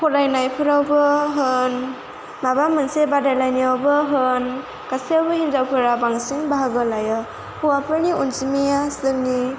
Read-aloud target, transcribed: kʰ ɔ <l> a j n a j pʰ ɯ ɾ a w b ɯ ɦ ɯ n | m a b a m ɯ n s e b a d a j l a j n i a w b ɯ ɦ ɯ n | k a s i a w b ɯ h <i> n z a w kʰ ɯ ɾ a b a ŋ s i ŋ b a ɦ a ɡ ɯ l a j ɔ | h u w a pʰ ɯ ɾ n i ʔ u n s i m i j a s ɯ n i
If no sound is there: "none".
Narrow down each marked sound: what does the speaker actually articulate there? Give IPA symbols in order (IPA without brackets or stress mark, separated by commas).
l, i